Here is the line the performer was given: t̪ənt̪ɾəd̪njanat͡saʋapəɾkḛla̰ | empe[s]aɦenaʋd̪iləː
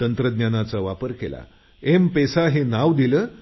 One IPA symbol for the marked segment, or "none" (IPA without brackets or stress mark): s